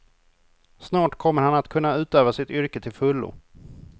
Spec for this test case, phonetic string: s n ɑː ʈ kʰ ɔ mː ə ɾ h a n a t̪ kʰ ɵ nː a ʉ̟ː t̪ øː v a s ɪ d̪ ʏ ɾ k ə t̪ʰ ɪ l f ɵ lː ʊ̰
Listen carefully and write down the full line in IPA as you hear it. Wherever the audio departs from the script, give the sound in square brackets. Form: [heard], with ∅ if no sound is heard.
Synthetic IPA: s n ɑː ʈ kʰ ɔ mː ə ɾ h a n a t̪ kʰ ɵ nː a ʉ̟ː t̪ øː v a s ɪ [t̪] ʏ ɾ k ə t̪ʰ ɪ l f ɵ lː ʊ̰